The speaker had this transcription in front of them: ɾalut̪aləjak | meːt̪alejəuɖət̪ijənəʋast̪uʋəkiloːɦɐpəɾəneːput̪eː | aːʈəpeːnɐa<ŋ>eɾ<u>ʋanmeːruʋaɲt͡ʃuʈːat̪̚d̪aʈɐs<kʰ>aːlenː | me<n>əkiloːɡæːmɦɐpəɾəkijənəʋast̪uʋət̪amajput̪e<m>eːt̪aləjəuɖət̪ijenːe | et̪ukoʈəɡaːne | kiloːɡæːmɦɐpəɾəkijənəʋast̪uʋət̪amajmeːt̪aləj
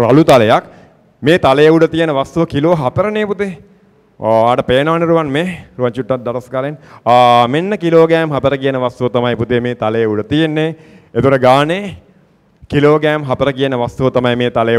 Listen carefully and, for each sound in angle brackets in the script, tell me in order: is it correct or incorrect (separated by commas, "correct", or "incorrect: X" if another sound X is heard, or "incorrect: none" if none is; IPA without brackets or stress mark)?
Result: incorrect: n, correct, incorrect: k, incorrect: nː, correct